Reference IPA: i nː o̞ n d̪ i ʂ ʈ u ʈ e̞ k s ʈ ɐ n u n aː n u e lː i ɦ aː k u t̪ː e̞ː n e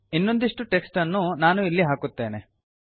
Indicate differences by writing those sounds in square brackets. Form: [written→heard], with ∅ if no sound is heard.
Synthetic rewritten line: i nː o̞ n d̪ i ʂ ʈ u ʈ e̞ k s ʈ ɐ [n→nː] u n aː n u [e→i] lː i ɦ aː k u t̪ː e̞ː n e